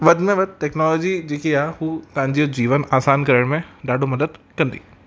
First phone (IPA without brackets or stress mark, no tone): ʋ